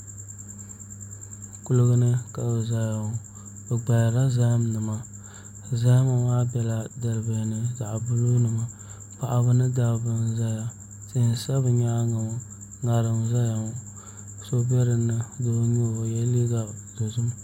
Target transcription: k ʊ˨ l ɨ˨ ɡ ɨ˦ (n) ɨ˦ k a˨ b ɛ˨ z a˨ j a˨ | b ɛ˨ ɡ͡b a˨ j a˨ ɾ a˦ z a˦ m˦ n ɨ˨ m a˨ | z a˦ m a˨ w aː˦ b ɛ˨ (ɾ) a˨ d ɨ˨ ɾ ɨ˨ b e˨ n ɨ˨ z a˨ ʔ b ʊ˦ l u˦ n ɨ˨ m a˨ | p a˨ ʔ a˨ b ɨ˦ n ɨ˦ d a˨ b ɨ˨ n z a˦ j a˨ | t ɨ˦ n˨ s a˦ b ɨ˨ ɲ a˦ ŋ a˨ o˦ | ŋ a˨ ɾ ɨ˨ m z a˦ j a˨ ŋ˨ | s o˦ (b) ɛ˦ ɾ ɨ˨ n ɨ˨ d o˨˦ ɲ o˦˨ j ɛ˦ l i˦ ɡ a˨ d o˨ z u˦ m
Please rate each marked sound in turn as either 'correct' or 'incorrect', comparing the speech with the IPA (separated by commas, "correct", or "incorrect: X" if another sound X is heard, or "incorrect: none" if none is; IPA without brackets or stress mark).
correct, incorrect: l, correct